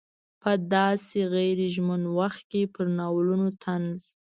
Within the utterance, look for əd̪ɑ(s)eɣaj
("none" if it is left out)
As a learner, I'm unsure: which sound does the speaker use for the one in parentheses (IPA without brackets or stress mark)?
s